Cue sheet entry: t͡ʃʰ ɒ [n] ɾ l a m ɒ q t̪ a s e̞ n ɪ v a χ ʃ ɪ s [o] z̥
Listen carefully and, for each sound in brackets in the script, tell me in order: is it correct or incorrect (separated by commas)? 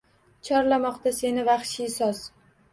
incorrect, incorrect